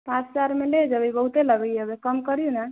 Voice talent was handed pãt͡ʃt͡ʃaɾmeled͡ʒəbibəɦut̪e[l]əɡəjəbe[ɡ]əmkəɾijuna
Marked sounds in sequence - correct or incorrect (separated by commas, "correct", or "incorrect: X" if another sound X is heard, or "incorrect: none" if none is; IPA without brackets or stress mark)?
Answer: correct, incorrect: k